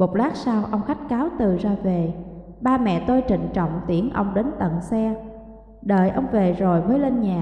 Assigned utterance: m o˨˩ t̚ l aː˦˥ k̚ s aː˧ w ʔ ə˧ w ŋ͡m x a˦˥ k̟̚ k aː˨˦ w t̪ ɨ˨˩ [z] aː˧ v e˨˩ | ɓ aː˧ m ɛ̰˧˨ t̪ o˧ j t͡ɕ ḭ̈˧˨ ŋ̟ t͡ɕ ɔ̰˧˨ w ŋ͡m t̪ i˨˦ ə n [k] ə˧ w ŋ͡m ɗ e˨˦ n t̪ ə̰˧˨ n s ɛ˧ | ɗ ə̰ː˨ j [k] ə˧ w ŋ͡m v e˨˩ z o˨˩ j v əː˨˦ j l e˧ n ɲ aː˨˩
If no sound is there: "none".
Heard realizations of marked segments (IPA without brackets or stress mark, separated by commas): z, ʔ, ʔ